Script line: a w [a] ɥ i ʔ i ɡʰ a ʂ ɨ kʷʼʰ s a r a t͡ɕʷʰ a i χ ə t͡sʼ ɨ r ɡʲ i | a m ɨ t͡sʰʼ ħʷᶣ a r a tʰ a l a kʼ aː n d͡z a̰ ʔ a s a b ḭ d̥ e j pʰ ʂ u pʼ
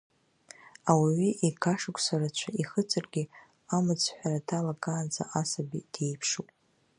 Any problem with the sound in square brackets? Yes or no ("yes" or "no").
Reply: yes